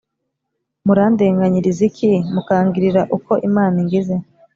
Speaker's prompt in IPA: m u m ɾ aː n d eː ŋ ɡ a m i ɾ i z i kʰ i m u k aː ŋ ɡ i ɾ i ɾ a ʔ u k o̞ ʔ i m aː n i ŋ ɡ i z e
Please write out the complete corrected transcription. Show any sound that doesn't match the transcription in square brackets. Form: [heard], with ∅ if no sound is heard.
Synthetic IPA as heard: m u [∅] ɾ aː n d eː ŋ ɡ a [ɲ] i ɾ i z i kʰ i m u k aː ŋ ɡ i ɾ i ɾ a ʔ u k o̞ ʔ i m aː n i ŋ ɡ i z e